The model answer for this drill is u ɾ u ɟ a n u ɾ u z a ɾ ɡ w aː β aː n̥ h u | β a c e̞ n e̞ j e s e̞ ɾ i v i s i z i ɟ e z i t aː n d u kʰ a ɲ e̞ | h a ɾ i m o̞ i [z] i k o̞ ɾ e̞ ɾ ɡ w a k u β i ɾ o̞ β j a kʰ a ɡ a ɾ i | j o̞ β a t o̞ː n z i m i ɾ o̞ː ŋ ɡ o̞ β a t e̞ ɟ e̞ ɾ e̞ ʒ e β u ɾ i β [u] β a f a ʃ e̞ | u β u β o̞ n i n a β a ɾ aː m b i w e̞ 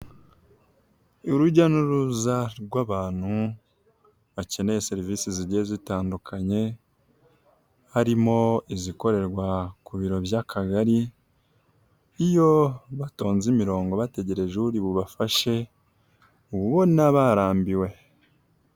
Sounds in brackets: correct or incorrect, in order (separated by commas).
correct, correct